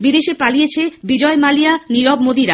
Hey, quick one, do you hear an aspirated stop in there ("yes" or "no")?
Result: yes